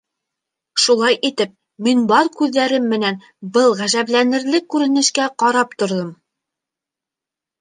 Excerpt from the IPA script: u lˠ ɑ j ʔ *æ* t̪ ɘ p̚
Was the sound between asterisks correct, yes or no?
no